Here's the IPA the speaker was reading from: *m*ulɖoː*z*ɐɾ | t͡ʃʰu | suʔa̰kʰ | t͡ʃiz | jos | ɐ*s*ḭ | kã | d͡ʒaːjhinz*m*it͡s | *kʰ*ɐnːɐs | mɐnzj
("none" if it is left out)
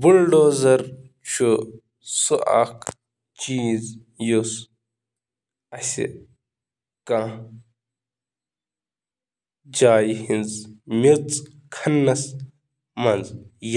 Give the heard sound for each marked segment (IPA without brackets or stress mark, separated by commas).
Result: b, z, s, m, kʰ